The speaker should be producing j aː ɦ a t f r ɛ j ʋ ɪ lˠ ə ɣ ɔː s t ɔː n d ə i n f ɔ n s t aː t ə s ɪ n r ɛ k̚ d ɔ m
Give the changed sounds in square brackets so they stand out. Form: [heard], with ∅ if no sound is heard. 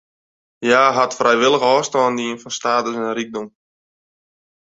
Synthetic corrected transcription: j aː ɦ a t f r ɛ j ʋ ɪ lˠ ə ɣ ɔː s t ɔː n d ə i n f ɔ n s t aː t ə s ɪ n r [i] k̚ d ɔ m

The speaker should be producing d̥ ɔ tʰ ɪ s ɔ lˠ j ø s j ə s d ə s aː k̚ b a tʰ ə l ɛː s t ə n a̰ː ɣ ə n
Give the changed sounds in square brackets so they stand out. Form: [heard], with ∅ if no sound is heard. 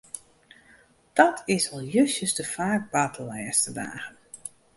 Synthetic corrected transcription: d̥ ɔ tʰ ɪ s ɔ lˠ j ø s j ə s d ə [f] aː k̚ b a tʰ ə l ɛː s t ə [d] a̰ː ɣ ə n

